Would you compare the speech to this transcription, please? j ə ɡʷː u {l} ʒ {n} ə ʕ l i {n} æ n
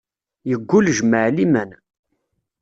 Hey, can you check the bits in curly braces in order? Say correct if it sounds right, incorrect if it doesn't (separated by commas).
correct, incorrect, incorrect